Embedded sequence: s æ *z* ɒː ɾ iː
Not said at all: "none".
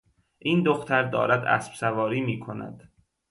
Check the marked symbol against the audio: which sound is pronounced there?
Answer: v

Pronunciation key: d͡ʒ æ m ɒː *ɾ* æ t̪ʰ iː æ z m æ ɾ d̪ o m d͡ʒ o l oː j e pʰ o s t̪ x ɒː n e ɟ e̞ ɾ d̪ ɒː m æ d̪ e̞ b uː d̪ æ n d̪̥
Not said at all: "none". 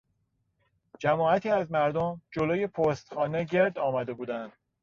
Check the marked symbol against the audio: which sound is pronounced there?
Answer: none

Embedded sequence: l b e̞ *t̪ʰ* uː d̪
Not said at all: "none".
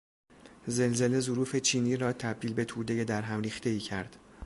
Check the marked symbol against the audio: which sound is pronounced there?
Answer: t̪ʰ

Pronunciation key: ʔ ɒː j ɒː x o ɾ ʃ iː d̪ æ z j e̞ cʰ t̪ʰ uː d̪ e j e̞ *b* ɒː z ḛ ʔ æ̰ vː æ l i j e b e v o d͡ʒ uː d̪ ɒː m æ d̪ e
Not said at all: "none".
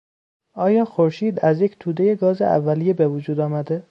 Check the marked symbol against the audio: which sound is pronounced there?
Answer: ɡ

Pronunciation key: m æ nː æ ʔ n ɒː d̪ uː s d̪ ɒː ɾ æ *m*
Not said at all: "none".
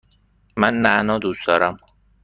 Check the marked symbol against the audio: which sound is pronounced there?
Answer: m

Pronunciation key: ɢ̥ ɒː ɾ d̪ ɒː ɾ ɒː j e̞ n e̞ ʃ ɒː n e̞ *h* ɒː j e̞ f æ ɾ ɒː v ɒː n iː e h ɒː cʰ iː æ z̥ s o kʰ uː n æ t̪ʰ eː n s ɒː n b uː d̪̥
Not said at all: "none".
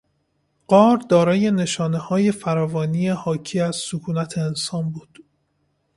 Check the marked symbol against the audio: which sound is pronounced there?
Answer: h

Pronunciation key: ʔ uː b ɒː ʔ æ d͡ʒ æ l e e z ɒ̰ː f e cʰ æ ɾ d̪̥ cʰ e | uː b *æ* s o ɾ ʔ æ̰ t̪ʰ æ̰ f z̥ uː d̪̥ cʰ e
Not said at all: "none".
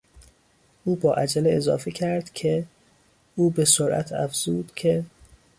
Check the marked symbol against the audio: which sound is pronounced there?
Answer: e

